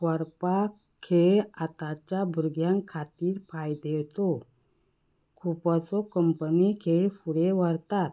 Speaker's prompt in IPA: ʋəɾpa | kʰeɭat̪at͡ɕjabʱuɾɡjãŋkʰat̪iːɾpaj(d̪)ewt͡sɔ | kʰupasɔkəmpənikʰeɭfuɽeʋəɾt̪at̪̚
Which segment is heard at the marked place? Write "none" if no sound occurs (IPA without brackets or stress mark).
d̪